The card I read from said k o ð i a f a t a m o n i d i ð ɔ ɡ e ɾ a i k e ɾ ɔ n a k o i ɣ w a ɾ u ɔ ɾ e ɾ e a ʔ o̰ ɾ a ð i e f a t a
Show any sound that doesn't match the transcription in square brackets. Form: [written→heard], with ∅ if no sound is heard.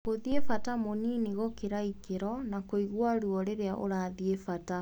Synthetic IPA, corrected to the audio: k o ð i [a→e] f a t a m o n i [d→n] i [ð→ɣ] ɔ [ɡ→k] e ɾ a i k e ɾ ɔ n a k o i ɣ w a ɾ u ɔ ɾ e ɾ e a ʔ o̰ ɾ a ð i e f a t a